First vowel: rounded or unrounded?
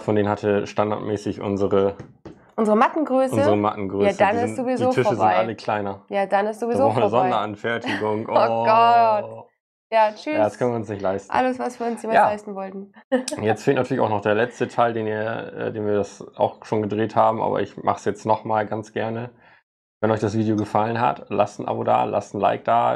rounded